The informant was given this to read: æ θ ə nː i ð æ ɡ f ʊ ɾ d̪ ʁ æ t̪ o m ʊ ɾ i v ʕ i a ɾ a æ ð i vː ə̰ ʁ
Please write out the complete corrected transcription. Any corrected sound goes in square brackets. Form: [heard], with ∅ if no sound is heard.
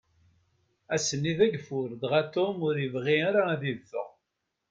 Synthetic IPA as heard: æ [s] ə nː i ð æ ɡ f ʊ ɾ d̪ ʁ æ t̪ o m ʊ ɾ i v [ʁ] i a ɾ a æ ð i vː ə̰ ʁ